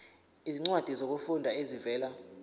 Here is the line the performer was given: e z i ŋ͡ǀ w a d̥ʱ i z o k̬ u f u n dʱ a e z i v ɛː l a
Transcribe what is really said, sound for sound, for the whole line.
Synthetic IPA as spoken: i z i ŋ͡ǀ w a d̥ʱ i z o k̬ u f u n dʱ a e z i v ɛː l a